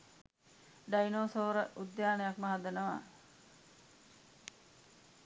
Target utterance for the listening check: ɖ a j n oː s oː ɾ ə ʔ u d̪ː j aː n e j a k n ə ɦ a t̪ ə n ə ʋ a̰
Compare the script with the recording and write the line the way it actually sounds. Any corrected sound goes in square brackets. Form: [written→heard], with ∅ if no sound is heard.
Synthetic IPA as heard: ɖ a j n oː s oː ɾ ə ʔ u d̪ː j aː n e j a k [n→m] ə ɦ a [t̪→d̪] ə n ə ʋ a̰